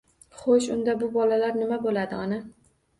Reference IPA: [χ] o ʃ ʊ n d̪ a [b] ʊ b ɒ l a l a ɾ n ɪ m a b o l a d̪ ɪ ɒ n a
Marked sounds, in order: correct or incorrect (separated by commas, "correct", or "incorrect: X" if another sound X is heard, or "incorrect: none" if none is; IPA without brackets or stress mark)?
correct, correct